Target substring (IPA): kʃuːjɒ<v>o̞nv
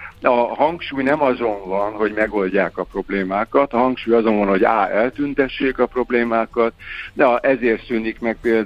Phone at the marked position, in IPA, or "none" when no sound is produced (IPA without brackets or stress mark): z